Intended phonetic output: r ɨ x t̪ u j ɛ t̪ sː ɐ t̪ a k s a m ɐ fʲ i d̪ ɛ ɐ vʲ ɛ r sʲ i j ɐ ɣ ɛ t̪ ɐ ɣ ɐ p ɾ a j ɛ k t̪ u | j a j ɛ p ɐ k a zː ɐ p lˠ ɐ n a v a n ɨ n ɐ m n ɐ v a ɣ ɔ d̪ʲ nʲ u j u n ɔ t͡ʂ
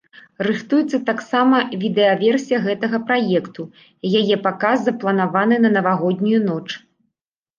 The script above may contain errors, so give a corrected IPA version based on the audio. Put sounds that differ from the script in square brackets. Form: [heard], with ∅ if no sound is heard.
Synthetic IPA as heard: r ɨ x t̪ u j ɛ t̪ sː ɐ t̪ a k s a m ɐ [vʲ] i d̪ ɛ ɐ vʲ ɛ r sʲ i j ɐ ɣ ɛ t̪ ɐ ɣ ɐ p ɾ a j ɛ k t̪ u | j a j ɛ p [a] k a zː ɐ p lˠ ɐ n a v a n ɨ n ɐ [∅] n ɐ v a ɣ ɔ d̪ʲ nʲ u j u n ɔ t͡ʂ